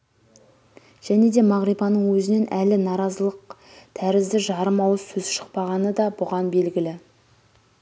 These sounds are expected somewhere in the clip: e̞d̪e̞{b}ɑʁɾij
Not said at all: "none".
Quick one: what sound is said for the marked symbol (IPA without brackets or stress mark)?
m